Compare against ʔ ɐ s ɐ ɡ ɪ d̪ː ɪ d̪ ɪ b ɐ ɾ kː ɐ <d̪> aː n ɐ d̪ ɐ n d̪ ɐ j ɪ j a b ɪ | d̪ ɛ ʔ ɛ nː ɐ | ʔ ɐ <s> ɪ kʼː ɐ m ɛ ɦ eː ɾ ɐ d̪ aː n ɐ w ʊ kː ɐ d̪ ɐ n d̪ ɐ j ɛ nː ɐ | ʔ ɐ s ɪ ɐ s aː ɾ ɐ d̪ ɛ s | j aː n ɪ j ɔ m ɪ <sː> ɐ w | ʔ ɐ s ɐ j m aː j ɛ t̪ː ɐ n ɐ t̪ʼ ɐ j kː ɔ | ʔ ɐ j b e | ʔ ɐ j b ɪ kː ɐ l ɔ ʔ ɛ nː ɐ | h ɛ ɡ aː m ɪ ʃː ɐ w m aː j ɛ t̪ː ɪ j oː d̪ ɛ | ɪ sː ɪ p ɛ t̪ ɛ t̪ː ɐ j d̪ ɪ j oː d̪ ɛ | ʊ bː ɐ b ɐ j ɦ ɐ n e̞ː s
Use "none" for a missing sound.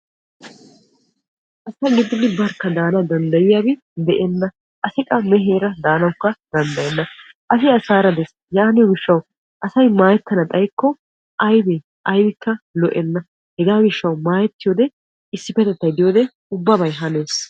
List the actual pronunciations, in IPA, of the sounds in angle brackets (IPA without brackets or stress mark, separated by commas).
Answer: d̪, s, ʃː